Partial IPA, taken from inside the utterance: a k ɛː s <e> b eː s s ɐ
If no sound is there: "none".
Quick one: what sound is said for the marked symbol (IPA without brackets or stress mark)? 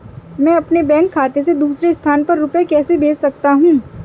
e